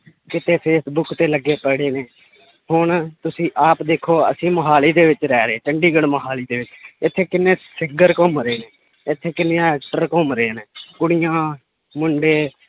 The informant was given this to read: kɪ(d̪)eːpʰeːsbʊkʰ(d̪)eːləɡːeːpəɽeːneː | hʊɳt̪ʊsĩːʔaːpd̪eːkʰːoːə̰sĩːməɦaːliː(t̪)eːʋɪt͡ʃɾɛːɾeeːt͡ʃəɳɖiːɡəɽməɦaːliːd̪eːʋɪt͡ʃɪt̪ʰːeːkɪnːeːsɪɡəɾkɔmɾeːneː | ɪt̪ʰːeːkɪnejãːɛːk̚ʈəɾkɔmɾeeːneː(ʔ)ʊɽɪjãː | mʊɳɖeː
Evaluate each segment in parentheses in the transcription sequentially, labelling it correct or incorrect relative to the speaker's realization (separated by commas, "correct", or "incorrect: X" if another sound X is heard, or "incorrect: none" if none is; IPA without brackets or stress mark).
incorrect: t̪, incorrect: t̪, incorrect: d̪, incorrect: k